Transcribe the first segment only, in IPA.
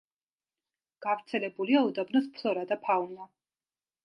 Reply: ɡ̥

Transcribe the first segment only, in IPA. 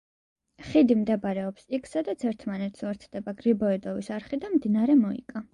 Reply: χ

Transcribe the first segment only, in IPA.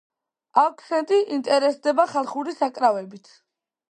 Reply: a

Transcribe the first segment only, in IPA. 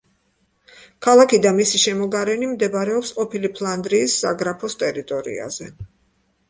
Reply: kʰ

